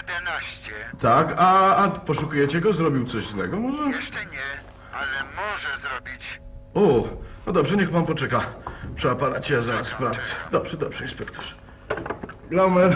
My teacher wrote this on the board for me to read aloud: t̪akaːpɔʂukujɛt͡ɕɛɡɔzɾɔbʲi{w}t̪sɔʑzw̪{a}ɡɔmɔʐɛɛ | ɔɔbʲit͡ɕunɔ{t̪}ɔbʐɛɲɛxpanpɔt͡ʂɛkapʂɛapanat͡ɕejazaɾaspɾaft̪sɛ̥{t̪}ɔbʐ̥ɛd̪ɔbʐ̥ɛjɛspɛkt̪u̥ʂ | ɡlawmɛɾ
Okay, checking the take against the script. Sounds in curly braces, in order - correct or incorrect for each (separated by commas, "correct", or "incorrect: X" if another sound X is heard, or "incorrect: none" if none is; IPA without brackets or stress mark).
correct, incorrect: ɛ, incorrect: d̪, incorrect: d̪